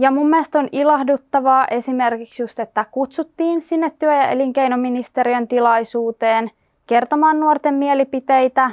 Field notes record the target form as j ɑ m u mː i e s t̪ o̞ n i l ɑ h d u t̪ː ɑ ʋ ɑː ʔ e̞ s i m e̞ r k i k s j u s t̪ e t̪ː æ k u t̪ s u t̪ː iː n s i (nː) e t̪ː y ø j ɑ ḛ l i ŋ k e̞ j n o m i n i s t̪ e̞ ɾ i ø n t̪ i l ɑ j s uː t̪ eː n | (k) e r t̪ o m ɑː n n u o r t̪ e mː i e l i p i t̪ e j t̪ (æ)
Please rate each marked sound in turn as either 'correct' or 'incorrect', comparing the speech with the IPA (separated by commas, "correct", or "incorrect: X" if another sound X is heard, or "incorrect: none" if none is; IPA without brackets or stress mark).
correct, correct, correct